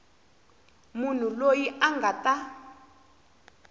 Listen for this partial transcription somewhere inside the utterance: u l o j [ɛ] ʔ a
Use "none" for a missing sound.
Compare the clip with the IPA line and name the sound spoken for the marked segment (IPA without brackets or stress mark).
i